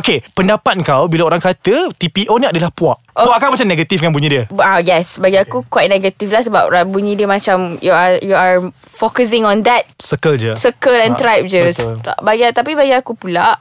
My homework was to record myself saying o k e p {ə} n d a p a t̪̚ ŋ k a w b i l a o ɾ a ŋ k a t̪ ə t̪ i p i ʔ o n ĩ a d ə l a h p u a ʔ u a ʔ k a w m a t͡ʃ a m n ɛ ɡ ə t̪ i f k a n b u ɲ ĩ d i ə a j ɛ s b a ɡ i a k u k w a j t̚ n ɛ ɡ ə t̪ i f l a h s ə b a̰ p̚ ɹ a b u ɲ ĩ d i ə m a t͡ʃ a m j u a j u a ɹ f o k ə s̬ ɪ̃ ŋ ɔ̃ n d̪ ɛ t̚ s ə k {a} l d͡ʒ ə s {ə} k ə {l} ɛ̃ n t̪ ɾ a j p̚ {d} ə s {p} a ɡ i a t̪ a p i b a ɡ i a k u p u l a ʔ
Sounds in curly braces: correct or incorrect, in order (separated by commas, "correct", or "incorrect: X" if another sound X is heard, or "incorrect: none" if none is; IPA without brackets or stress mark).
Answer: correct, incorrect: ə, correct, correct, incorrect: d͡ʒ, incorrect: b